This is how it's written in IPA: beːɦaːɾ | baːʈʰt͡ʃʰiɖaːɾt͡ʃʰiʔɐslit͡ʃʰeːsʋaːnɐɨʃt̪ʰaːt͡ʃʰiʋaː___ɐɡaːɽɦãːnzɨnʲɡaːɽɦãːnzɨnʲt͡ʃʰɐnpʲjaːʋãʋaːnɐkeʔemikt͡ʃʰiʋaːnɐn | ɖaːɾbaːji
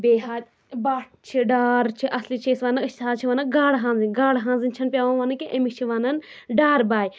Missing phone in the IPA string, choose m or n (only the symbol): n